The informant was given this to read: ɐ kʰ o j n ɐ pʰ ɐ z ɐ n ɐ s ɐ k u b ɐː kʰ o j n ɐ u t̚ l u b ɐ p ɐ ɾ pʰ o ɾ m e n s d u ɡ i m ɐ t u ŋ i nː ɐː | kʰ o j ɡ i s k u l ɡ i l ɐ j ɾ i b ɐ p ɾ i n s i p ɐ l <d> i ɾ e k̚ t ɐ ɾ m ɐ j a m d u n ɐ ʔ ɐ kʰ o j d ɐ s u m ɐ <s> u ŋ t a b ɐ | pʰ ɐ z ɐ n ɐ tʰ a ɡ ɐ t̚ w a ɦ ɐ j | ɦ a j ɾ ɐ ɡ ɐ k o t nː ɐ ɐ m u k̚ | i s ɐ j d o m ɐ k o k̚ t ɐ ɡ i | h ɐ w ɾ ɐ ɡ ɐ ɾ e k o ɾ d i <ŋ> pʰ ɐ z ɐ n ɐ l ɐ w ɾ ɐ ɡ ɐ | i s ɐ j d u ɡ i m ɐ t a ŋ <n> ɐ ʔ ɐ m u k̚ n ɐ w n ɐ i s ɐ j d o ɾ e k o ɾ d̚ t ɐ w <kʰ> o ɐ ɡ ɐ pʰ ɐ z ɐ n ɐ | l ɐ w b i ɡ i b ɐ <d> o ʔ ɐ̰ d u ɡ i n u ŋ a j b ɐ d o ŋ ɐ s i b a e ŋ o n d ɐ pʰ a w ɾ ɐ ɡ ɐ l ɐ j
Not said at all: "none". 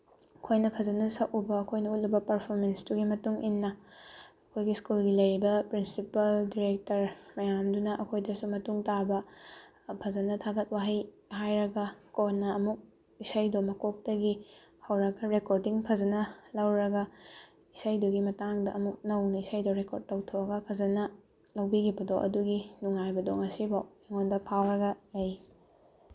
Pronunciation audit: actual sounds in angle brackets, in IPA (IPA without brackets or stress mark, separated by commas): d, t, ŋ, d, tʰ, d